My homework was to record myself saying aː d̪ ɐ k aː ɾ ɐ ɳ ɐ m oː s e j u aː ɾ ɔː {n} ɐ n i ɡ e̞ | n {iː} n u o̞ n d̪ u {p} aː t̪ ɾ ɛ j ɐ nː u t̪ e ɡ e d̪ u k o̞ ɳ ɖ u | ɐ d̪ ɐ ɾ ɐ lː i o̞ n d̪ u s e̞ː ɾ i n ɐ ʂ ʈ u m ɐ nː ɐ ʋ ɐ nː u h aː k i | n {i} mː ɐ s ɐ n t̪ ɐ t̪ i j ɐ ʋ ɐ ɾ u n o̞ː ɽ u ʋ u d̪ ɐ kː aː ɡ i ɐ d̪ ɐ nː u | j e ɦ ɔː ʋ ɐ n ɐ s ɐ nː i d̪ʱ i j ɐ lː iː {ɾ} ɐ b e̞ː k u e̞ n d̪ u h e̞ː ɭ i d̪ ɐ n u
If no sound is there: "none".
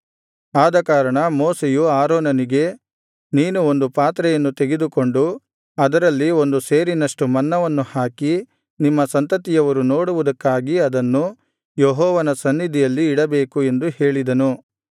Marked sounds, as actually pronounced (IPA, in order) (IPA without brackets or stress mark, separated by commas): n, iː, p, i, ɽ